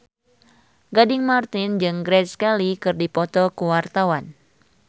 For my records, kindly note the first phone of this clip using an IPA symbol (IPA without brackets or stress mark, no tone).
ɡ